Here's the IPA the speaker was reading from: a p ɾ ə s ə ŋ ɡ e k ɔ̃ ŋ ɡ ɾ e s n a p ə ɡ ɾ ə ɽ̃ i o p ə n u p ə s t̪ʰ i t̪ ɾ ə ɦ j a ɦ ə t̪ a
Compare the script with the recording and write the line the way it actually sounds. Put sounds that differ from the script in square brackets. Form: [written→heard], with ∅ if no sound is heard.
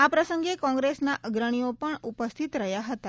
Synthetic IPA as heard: a p ɾ ə s ə ŋ ɡ e k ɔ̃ ŋ ɡ ɾ e s n a [p→ʔ] ə ɡ ɾ ə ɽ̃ i o p ə [n→ɳ] u p ə s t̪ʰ i t̪ ɾ ə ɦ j a ɦ ə t̪ a